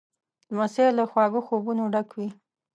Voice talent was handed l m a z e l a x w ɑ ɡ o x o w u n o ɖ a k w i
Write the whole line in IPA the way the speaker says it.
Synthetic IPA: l m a s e l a x w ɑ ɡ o x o b u n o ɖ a k w i